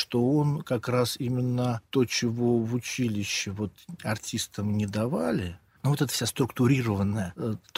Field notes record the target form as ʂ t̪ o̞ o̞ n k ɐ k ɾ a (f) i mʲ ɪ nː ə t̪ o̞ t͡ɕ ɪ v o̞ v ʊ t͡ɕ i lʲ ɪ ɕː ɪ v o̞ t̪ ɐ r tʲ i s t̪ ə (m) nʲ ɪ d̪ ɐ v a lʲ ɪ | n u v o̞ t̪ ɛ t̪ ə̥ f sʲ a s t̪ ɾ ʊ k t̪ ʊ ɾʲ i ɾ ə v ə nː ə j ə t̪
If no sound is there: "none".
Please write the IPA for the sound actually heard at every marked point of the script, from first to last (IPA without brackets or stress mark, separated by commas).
s, m